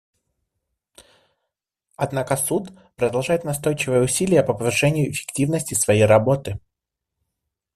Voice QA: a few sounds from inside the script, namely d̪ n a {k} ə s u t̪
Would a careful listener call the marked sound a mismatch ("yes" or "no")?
no